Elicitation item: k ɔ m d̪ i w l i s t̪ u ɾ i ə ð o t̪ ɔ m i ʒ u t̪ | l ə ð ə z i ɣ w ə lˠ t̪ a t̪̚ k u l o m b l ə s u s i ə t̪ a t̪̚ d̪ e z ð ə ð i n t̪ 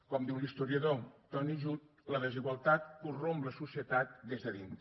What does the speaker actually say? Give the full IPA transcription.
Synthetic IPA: k ɔ m d̪ i w l i s t̪ u ɾ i ə ð o t̪ ɔ n i ʒ u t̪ | l ə ð ə z i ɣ w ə lˠ t̪ a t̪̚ k u r o m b l ə s u s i ə t̪ a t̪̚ d̪ e z ð ə ð i n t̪